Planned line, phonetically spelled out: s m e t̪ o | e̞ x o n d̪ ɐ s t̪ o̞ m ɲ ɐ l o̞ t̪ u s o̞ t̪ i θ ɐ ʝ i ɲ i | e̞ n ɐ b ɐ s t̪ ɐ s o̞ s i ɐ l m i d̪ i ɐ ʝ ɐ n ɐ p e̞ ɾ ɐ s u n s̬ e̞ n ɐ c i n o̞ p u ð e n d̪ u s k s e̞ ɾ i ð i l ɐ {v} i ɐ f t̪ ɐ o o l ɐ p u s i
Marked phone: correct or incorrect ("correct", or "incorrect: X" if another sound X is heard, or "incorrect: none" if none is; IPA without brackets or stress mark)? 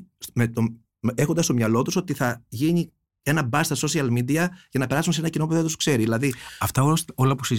incorrect: ð